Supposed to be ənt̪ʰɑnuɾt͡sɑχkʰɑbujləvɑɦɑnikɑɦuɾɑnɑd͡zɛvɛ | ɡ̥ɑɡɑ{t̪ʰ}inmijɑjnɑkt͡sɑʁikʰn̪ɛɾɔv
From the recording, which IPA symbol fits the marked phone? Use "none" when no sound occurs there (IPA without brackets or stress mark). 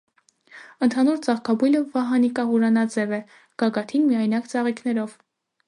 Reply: t̪ʰ